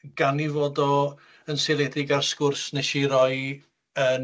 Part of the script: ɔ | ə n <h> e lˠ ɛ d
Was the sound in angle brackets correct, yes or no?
no